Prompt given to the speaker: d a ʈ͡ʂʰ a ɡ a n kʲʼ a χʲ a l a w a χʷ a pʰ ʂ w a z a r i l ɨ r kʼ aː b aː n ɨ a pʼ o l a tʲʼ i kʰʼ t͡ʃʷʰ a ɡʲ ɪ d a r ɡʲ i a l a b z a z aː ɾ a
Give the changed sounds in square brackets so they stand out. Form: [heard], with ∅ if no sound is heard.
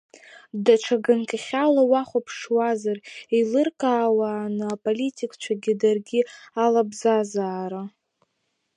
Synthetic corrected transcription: d a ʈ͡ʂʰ a ɡ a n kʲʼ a χʲ a l a w a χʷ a pʰ ʂ w a z a r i l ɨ r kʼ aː [w] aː n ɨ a pʼ o l [i] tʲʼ i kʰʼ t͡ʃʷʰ a ɡʲ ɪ d a r ɡʲ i a l a b z a z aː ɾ a